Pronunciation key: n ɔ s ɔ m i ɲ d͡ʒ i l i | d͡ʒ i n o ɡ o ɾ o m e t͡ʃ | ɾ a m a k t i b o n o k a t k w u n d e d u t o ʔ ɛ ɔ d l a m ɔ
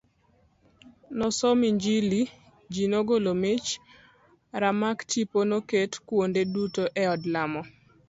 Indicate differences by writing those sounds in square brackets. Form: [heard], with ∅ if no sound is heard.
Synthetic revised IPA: n ɔ s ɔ m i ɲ d͡ʒ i l i | d͡ʒ i n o ɡ o [l] o m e t͡ʃ | ɾ a m a k t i [p] o n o k [e] t k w [o] n d e d u t o ʔ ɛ ɔ d l a m ɔ